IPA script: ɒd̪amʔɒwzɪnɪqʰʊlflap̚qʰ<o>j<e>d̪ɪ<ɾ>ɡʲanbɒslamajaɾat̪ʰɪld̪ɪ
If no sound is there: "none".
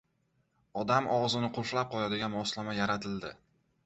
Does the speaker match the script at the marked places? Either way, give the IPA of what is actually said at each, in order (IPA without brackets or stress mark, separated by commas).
ɒ, a, none